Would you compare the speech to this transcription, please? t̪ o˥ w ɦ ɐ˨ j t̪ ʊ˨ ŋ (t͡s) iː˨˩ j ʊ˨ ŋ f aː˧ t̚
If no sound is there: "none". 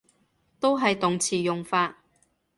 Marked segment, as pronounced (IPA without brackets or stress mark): t͡sʰ